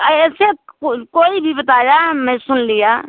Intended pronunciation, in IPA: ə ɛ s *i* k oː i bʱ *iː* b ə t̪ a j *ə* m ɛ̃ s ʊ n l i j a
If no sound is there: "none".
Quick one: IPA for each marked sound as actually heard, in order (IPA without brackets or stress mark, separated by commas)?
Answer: e, i, a